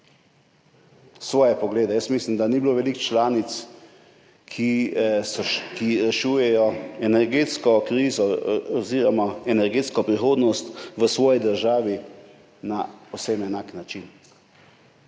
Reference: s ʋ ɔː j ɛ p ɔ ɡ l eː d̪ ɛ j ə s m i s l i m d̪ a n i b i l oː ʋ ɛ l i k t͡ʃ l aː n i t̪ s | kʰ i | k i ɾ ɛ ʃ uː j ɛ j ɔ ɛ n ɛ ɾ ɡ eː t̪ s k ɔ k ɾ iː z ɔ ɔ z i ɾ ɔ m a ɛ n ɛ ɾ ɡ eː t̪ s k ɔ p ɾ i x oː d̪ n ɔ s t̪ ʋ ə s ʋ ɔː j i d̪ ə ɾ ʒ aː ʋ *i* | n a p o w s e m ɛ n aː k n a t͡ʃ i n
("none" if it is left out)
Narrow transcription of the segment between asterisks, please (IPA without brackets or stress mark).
i